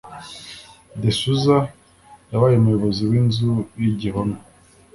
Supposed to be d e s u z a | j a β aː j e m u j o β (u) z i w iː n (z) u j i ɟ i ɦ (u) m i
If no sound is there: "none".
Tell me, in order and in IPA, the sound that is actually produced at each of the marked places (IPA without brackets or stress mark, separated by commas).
o, z, o